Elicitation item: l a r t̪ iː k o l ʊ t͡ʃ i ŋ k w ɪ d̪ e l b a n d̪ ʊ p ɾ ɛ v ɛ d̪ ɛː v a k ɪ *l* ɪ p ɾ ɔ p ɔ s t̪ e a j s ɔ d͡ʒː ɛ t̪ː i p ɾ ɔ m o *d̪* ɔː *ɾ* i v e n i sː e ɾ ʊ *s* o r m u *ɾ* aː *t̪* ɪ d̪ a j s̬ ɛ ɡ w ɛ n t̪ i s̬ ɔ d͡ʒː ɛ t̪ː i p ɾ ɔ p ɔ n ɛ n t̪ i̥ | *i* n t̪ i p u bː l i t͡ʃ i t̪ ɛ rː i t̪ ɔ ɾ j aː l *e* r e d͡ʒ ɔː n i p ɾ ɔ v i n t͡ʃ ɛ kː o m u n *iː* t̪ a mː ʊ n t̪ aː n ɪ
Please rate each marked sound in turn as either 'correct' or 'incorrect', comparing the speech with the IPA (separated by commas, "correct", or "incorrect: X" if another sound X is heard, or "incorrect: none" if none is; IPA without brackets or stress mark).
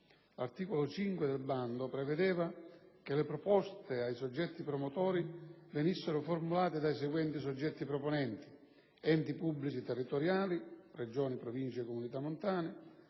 correct, incorrect: t̪, correct, incorrect: f, incorrect: l, correct, incorrect: ɛ, incorrect: i, incorrect: i